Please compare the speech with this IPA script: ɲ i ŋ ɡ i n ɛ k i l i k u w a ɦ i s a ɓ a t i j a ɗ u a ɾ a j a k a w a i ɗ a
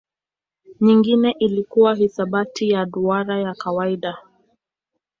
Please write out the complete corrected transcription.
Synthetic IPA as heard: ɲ i ŋ ɡ i n ɛ ʔ i l i k u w a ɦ i s a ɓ a t i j a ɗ u a ɾ a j a k a w a i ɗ a